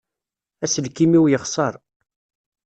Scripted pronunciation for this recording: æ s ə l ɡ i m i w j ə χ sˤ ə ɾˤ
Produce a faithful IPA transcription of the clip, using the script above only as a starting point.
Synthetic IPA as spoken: æ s ə l k i m i w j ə χ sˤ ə ɾˤ